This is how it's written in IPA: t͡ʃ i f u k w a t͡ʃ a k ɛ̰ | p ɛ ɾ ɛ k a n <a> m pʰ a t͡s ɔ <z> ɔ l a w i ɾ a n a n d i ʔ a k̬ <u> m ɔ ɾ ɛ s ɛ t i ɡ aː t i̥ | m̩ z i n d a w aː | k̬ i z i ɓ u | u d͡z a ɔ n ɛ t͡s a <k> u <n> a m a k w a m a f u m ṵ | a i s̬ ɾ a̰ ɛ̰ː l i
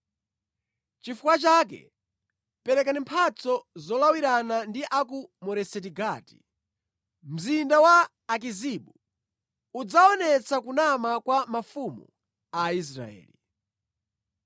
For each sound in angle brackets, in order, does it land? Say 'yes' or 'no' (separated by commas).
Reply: no, yes, yes, yes, yes